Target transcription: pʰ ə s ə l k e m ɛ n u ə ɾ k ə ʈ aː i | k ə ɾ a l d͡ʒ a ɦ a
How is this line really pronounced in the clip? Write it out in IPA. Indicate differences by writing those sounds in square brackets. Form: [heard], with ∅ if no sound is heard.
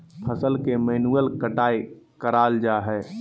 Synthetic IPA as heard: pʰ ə s ə l k e m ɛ n u ə [l] k ə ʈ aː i | k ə ɾ a l d͡ʒ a ɦ [ɛ]